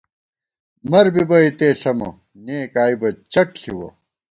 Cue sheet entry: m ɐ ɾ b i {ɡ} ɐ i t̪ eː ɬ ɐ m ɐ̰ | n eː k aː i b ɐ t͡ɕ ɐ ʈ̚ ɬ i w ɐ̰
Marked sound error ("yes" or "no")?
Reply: yes